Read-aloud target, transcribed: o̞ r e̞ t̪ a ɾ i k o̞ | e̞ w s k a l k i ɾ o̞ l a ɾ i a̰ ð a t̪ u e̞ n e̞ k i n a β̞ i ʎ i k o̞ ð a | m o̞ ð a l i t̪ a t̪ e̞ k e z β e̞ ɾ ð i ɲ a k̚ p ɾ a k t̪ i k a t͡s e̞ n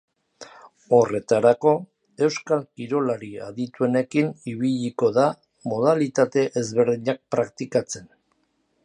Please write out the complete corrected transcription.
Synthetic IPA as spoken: o̞ r e̞ t̪ a ɾ a k o̞ | e̞ w s k a l k i ɾ o̞ l a ɾ i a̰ ð i t̪ u e̞ n e̞ k i n i β̞ i ʎ i k o̞ ð a | m o̞ ð a l i t̪ a t̪ e̞ ʔ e z β e̞ ɾ ð i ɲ a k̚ p ɾ a k t̪ i k a t͡s e̞ n